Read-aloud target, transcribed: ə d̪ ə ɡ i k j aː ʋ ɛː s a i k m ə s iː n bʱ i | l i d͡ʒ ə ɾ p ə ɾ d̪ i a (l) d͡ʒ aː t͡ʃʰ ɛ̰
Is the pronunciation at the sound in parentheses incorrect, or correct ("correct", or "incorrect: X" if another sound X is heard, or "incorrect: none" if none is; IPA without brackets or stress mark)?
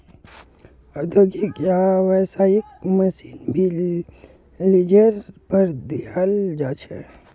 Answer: correct